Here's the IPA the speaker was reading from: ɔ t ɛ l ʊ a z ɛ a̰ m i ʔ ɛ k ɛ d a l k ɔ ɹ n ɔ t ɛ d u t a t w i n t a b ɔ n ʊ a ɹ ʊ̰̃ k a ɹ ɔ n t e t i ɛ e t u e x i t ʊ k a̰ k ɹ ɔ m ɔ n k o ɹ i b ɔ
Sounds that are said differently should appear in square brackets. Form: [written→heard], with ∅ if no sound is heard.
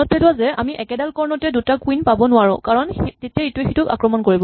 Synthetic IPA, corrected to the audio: ɔ t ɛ l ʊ a z ɛ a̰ m i ʔ ɛ k ɛ d a l k ɔ ɹ n ɔ t ɛ d u t a [t→k] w i n [t→p] a b ɔ n ʊ a ɹ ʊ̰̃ k a ɹ ɔ n t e t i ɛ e t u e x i t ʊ k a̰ k ɹ ɔ m ɔ n k o ɹ i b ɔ